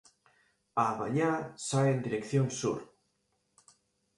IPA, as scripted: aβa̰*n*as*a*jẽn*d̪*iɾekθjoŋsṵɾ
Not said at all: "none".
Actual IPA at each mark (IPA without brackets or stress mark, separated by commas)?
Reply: ɲ, a, d̪